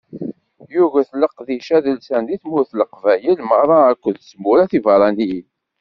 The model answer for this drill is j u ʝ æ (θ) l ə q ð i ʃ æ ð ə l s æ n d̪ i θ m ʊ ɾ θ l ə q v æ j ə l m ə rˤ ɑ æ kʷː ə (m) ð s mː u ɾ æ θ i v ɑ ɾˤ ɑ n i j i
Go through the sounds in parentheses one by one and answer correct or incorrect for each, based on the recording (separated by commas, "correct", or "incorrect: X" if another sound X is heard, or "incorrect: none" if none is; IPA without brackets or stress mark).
correct, incorrect: none